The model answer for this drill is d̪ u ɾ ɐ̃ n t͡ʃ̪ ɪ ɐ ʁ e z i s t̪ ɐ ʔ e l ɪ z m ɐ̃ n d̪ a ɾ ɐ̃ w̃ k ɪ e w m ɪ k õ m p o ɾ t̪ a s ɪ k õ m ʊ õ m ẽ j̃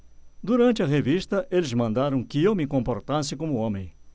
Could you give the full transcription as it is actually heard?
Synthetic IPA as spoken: d̪ u ɾ ɐ̃ n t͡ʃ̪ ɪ ɐ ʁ e v i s t̪ ɐ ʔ e l ɪ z m ɐ̃ n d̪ a ɾ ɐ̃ w̃ k ɪ e w m ɪ k õ m p o ɾ t̪ a s ɪ k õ m ʊ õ m ẽ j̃